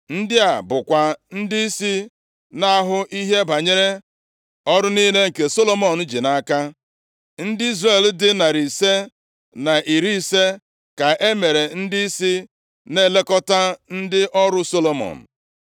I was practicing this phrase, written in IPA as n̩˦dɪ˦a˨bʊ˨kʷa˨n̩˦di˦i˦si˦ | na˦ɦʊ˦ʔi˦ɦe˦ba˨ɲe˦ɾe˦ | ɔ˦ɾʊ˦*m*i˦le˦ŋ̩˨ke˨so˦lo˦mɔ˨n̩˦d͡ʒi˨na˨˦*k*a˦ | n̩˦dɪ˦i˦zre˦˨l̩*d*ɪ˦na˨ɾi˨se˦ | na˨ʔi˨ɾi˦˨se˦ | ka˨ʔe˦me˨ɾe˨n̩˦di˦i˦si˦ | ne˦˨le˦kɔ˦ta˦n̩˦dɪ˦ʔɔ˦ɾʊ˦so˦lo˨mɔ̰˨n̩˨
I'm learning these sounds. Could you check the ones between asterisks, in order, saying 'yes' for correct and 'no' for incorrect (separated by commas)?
no, yes, yes